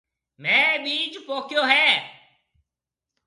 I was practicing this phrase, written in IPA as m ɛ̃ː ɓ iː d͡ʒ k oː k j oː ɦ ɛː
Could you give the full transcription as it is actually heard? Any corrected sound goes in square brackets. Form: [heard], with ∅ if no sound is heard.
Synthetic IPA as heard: m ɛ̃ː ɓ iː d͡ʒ [p] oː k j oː ɦ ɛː